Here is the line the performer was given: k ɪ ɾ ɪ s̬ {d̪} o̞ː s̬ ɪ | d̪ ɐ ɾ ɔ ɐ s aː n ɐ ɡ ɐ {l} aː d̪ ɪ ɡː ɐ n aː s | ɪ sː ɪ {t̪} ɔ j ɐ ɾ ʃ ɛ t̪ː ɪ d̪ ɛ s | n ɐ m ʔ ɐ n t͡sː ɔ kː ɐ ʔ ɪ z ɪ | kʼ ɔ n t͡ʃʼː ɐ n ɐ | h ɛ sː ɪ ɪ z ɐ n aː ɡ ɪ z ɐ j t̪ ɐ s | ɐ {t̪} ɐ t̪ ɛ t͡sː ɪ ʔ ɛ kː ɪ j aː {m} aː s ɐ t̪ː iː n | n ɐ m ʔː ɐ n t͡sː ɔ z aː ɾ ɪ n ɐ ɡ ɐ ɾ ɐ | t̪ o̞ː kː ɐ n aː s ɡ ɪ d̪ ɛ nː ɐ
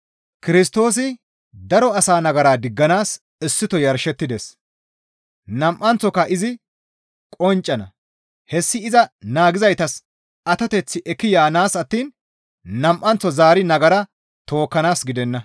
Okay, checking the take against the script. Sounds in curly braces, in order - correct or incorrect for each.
incorrect, incorrect, correct, correct, incorrect

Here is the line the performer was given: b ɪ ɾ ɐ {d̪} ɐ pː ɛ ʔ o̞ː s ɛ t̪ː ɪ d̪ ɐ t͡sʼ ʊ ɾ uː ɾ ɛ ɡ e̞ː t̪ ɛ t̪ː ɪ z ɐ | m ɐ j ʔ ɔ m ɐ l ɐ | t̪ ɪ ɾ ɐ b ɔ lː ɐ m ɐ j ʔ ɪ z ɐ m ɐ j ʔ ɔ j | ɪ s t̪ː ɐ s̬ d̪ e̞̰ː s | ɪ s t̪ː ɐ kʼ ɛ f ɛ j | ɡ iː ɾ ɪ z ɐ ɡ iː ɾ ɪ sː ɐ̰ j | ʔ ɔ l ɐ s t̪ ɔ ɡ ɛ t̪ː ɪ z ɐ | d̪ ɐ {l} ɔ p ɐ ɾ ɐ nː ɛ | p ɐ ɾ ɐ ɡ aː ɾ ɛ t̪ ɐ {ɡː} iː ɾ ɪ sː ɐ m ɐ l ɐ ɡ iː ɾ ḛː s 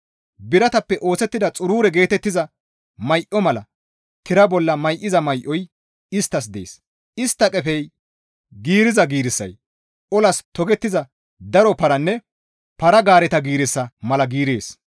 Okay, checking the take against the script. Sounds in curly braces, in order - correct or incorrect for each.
incorrect, incorrect, incorrect

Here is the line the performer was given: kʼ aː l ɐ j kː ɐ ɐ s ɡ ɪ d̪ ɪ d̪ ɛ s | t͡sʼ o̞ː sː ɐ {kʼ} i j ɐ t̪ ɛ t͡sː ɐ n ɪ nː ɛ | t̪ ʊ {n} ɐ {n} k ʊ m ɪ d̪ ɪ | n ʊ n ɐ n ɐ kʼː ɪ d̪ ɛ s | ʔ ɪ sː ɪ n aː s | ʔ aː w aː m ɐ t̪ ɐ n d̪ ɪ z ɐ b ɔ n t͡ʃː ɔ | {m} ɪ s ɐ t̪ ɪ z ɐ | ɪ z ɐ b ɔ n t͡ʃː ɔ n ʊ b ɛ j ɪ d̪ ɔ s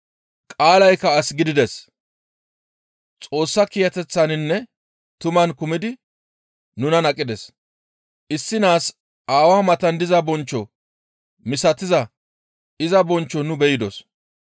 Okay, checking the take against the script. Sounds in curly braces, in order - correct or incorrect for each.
incorrect, incorrect, correct, correct

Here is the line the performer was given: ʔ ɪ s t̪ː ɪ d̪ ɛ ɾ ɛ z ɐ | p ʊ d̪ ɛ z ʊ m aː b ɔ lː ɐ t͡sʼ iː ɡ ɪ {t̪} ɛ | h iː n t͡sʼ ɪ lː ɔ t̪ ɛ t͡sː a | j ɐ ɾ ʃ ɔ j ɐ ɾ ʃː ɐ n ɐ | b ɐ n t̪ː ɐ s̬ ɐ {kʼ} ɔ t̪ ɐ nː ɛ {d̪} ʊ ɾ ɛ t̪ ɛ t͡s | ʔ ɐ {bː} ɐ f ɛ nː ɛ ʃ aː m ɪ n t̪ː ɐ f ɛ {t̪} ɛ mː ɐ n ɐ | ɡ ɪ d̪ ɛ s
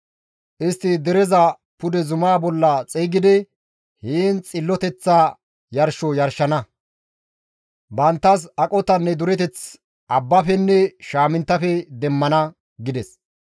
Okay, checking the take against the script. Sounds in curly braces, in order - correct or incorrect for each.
incorrect, correct, correct, correct, incorrect

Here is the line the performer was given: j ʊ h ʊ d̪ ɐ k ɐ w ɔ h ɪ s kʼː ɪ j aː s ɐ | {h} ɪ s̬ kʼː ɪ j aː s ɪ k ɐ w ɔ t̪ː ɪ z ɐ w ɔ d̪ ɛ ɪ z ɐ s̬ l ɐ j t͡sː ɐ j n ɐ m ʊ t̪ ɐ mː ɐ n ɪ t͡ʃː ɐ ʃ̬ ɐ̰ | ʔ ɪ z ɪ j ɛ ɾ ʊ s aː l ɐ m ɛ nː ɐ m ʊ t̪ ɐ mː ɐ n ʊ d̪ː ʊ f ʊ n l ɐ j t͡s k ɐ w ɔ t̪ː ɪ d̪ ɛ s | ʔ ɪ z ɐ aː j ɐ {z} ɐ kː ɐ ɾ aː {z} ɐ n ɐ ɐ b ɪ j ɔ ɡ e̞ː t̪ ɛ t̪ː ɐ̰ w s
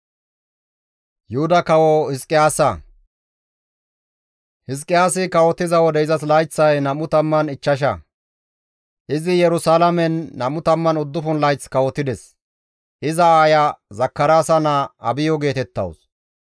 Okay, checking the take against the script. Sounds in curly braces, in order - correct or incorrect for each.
correct, correct, incorrect

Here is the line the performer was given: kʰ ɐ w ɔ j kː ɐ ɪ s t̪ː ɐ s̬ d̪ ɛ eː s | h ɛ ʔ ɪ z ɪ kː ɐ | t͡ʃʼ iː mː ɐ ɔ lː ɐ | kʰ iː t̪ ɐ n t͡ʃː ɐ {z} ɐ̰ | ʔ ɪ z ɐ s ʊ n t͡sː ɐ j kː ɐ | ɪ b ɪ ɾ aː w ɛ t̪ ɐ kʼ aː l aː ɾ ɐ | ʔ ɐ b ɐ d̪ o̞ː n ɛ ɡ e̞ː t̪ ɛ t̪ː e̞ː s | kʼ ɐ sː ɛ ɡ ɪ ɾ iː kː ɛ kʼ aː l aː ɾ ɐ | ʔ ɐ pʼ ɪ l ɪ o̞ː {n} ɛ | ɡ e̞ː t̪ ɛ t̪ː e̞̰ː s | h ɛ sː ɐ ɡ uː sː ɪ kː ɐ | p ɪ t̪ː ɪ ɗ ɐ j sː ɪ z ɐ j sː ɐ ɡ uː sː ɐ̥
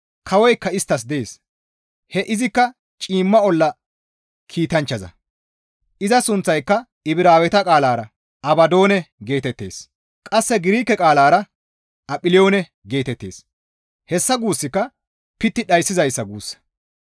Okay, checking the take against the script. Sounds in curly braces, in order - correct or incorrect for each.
correct, correct

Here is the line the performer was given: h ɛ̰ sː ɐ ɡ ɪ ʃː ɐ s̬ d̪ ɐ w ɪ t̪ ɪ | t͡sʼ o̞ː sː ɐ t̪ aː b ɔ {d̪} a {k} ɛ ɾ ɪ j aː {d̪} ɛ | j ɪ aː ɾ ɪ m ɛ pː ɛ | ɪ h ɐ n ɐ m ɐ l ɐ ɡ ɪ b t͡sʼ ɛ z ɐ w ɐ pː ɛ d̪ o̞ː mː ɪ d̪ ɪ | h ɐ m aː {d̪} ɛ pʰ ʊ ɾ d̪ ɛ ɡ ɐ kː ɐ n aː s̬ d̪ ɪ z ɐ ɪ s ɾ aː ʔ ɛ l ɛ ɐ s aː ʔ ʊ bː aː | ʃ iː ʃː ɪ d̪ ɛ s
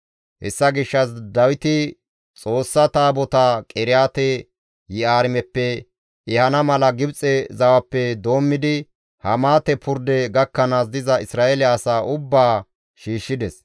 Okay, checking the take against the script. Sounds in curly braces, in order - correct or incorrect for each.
incorrect, incorrect, incorrect, incorrect

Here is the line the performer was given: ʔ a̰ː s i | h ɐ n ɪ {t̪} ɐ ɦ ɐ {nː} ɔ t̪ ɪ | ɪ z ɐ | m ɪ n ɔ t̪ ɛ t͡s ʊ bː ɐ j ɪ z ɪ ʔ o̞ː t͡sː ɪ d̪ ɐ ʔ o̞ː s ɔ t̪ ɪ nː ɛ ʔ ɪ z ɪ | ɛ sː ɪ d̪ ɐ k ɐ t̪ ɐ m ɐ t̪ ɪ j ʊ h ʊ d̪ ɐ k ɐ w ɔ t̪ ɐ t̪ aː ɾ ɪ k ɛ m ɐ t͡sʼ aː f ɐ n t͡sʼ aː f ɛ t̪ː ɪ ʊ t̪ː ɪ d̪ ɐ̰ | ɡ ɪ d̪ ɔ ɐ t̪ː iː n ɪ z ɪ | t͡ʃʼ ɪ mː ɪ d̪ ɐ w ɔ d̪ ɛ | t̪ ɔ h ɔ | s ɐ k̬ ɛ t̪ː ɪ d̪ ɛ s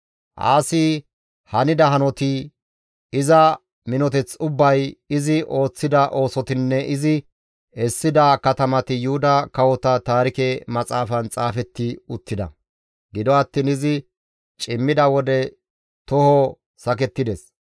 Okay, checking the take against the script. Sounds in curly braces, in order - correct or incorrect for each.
incorrect, incorrect

